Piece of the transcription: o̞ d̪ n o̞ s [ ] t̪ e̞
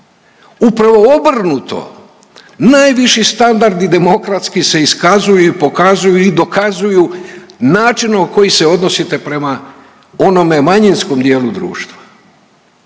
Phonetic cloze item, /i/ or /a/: i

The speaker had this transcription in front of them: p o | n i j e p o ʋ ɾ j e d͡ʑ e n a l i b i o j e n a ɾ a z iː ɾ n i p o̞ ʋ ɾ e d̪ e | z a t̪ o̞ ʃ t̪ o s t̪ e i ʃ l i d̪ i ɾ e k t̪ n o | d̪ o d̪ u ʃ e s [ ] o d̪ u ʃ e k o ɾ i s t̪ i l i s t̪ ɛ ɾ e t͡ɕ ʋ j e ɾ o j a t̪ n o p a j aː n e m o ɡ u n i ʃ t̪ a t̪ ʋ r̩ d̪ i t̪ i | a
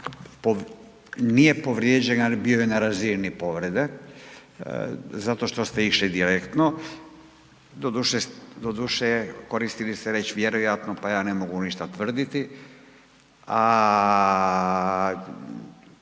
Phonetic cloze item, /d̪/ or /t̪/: d̪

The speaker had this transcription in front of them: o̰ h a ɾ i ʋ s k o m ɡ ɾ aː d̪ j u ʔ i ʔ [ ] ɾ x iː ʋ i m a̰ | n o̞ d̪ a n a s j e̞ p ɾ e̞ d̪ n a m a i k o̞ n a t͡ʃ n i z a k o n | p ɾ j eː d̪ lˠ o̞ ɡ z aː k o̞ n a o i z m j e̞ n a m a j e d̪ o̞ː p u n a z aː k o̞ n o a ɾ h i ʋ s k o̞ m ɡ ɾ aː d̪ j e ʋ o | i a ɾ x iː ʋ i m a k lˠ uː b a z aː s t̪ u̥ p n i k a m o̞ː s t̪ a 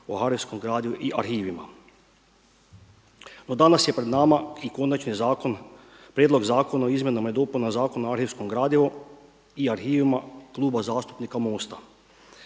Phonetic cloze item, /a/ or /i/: a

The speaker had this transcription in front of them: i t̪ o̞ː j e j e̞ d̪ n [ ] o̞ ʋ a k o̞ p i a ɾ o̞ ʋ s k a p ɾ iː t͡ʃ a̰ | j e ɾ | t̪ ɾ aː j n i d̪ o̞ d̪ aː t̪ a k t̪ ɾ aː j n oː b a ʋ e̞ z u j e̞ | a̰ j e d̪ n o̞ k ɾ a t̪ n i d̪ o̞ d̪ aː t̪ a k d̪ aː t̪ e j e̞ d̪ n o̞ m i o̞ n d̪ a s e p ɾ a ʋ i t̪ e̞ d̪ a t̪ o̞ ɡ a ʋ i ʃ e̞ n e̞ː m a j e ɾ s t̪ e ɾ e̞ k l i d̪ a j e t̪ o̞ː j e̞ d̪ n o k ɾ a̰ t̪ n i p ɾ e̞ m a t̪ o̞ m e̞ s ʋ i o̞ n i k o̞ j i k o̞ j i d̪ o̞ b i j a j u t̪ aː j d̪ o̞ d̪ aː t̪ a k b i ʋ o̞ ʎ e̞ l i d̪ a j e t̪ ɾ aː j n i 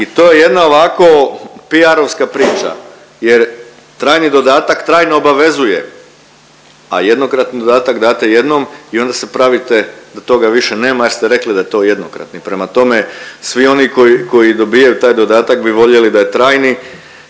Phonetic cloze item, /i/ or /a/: a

